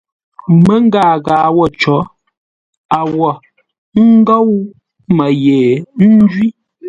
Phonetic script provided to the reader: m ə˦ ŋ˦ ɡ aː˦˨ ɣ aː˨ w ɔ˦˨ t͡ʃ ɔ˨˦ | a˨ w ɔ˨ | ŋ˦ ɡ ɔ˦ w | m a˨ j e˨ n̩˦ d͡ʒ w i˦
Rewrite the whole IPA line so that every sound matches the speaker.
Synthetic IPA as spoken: m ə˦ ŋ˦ ɡ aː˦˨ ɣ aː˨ w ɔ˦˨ t͡ʃ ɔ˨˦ | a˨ w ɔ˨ | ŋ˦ ɡ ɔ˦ w | m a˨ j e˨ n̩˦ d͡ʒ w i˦